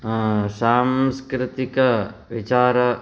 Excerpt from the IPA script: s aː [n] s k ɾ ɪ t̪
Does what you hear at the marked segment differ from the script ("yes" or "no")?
yes